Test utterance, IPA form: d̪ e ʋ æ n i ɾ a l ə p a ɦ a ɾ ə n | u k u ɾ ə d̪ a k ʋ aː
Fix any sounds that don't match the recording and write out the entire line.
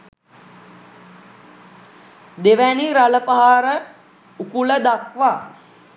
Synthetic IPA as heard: d̪ e ʋ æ n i ɾ a l ə p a ɦ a ɾ ə | u k u l ə d̪ a k ʋ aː